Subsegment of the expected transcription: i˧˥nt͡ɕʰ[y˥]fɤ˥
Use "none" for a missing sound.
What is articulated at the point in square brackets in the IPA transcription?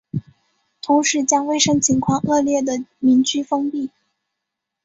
y˥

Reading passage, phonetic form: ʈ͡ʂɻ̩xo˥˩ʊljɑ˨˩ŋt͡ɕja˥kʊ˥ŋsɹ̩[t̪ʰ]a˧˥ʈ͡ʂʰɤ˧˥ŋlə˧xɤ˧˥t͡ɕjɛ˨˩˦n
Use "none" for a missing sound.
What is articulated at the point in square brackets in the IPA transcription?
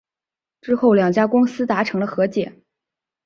t̪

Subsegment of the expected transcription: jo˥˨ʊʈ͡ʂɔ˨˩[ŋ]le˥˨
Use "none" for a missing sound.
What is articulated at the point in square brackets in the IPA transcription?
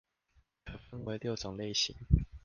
ŋ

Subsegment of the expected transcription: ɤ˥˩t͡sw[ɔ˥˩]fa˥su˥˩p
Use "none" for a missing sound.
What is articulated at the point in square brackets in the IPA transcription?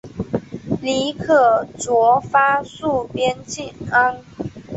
ɔ˧˥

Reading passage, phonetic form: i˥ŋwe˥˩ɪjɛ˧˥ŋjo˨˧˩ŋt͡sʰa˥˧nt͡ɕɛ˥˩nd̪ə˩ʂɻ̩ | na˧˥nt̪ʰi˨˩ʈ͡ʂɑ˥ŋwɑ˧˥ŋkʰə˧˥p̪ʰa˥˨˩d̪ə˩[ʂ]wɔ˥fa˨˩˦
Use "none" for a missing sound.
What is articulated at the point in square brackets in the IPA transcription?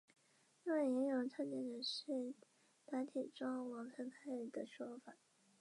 ʂ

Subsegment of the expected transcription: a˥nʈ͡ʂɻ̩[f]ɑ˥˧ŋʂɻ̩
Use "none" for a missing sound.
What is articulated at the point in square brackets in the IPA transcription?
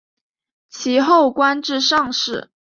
ʂ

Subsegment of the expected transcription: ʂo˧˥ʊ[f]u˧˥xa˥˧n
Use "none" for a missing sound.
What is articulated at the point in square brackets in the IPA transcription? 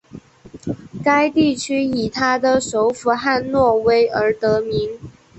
f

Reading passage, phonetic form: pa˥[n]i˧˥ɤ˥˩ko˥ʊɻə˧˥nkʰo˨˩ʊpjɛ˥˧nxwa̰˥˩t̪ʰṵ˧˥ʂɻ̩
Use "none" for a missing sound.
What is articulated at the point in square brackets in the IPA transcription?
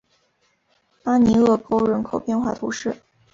n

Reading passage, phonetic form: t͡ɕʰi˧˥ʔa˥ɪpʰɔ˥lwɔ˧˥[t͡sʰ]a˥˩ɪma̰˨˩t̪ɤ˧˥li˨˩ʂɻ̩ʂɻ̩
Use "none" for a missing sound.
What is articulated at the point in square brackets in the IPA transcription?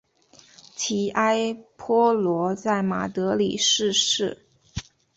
t͡s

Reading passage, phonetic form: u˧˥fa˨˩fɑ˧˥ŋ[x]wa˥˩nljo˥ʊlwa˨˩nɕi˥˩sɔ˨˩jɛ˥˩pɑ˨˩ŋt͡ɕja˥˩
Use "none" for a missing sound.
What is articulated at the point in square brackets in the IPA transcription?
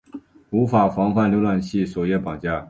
x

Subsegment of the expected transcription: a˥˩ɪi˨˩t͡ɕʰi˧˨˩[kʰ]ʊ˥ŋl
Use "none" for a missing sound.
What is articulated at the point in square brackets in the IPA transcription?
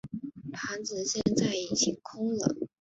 kʰ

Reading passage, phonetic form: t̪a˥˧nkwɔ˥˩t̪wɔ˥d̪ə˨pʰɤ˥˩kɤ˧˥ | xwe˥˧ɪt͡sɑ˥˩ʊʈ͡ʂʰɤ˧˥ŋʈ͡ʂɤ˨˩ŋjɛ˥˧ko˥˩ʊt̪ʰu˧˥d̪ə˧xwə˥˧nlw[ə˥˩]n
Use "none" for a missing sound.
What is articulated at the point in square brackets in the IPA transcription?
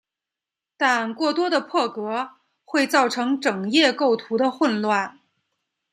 a˥˩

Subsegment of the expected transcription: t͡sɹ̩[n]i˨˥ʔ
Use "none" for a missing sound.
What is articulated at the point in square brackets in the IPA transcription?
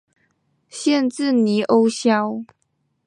n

